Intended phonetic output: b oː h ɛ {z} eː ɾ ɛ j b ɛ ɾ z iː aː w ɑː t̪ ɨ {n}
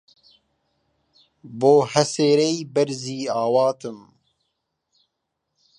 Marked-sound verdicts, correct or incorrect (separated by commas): incorrect, incorrect